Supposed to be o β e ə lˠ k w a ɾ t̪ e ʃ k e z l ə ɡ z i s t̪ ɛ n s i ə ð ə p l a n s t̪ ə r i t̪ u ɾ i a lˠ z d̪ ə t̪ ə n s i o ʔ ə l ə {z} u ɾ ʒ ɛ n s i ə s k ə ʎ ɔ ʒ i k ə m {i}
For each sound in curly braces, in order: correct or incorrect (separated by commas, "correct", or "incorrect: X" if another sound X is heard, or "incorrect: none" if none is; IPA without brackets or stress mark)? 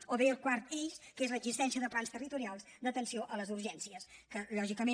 correct, incorrect: e